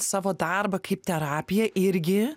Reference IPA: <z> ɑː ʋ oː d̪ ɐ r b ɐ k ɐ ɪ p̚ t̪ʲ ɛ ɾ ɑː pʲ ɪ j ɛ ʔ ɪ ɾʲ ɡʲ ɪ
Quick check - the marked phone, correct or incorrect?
incorrect